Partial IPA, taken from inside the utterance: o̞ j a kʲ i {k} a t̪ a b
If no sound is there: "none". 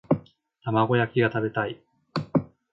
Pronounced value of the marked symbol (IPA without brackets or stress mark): ɡ